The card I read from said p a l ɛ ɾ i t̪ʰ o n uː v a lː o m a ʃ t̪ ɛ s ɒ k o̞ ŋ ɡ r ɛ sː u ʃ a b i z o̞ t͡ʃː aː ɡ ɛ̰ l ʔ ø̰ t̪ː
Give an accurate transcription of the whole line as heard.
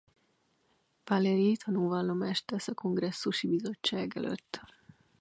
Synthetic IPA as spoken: p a l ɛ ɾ i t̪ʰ ɒ n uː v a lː o m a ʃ t̪ ɛ s ɒ k o̞ ŋ ɡ r ɛ sː u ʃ i b i z o̞ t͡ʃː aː ɡ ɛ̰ l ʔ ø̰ t̪ː